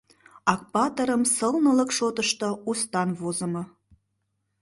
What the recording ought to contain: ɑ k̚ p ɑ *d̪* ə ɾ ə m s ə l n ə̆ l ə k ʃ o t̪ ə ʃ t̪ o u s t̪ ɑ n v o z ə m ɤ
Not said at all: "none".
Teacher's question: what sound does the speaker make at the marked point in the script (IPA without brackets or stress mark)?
t̪